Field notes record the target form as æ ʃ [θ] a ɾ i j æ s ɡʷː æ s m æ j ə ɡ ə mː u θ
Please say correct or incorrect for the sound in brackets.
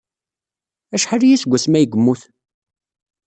incorrect